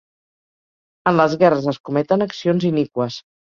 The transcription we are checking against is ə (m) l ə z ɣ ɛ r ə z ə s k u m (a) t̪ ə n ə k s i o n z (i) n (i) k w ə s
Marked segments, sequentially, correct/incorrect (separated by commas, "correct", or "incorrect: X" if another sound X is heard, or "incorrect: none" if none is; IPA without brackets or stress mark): incorrect: n, incorrect: ɛ, correct, correct